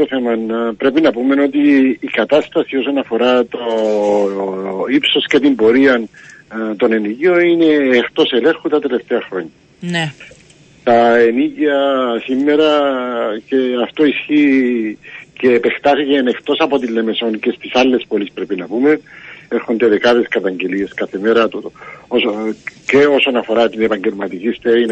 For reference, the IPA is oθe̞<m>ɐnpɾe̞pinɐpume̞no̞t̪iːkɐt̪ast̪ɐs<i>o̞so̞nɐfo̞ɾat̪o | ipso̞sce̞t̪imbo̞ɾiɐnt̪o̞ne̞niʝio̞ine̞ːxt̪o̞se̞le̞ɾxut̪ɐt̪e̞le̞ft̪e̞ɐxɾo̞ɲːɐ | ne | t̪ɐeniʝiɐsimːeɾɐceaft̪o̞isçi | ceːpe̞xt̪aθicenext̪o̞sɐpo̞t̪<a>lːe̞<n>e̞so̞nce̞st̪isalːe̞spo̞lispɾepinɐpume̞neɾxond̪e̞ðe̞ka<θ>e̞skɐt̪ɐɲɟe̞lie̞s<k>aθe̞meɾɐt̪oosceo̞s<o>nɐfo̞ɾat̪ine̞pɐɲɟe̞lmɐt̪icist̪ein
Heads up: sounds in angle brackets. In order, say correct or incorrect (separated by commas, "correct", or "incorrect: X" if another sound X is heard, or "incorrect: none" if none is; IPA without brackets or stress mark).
correct, correct, incorrect: i, incorrect: m, incorrect: ð, correct, correct